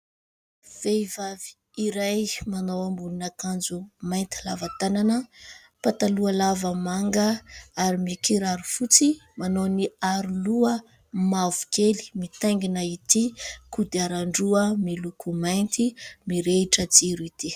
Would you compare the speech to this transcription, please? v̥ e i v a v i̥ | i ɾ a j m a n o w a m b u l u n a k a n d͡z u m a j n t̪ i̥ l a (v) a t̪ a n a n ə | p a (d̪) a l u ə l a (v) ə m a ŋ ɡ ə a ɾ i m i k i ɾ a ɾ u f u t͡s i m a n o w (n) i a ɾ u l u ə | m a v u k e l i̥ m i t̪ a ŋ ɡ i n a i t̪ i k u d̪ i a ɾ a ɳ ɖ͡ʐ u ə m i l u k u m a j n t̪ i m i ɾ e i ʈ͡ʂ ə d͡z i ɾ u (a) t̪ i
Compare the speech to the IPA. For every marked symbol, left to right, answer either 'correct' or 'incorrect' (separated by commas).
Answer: correct, incorrect, correct, correct, incorrect